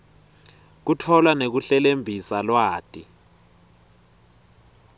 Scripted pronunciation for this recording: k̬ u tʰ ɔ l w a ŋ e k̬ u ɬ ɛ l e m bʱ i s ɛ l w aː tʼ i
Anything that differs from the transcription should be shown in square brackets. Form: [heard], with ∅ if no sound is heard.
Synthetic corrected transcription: k̬ u tʰ ɔ l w a [n] e k̬ u ɬ ɛ l e m bʱ i s [a] l w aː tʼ i